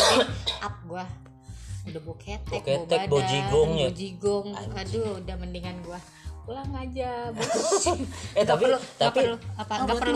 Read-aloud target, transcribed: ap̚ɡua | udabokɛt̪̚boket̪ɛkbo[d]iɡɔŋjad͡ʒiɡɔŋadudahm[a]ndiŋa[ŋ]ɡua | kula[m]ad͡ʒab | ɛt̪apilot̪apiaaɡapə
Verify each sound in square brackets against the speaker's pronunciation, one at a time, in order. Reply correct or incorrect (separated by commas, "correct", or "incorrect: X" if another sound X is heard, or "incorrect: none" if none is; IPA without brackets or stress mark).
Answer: incorrect: d͡ʒ, incorrect: ə, incorrect: n, incorrect: ŋ